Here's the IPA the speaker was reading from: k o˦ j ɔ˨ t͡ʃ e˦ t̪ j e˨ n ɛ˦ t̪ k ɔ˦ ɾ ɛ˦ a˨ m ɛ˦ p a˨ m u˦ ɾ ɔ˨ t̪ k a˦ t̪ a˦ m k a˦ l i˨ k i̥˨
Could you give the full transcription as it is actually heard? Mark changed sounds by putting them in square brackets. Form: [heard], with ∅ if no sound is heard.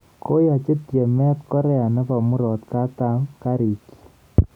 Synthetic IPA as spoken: k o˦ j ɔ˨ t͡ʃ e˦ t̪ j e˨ [m] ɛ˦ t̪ k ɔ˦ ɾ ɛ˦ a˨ [n] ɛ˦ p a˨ m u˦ ɾ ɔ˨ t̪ k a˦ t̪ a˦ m k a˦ [ɾ] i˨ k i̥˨